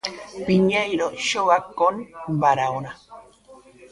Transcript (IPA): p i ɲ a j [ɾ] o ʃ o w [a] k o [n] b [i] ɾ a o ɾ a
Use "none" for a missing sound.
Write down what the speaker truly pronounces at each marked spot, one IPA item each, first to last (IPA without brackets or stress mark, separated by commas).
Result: ɾ, a, n, a